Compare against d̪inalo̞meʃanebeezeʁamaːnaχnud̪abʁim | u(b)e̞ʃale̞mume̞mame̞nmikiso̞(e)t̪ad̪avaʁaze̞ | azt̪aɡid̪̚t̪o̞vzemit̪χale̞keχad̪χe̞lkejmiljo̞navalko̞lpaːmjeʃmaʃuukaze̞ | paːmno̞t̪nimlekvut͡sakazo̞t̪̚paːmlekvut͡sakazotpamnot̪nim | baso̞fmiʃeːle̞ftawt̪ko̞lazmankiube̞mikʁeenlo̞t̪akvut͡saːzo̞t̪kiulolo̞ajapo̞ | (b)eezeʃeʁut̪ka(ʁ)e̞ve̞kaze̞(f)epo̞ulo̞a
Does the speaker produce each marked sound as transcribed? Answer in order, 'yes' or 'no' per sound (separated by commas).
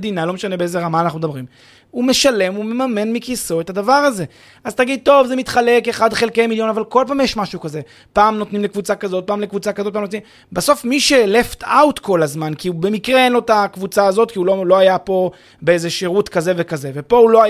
no, yes, yes, no, no